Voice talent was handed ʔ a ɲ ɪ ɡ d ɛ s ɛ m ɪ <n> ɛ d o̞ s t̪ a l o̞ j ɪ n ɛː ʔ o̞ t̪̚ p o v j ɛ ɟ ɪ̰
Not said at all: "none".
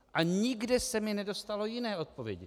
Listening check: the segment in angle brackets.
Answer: n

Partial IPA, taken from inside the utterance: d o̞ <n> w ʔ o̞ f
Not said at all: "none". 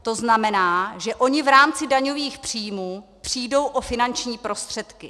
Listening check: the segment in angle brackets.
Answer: none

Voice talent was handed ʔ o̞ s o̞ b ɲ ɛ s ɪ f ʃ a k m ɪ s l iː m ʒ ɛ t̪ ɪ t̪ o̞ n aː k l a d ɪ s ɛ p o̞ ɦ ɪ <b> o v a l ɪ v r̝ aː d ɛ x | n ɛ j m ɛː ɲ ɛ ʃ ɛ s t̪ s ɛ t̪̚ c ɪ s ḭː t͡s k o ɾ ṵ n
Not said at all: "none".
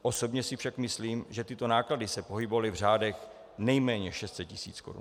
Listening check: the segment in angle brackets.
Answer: b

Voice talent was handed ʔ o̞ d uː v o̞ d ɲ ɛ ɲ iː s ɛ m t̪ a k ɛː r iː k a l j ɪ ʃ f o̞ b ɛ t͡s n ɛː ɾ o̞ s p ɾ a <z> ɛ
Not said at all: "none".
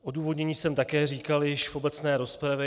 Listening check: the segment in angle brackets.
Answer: v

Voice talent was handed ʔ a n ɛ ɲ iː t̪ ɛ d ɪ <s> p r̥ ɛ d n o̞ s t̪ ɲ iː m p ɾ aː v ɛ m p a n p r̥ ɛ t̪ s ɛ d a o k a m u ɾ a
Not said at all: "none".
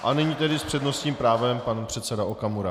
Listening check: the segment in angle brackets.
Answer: s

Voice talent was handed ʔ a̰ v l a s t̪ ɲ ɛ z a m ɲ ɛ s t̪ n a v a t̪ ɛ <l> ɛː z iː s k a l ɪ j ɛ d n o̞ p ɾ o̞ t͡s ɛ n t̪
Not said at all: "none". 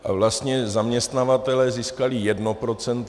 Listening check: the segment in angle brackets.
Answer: l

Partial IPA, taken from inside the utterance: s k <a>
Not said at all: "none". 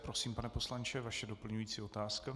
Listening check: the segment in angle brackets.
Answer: a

